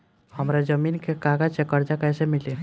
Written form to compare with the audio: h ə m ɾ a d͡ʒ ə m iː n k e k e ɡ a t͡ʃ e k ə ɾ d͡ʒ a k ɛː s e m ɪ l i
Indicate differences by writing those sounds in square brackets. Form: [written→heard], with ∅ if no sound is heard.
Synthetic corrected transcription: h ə m ɾ a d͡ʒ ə m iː n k e k [e→a] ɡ a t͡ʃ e k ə ɾ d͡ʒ a k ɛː s e m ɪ l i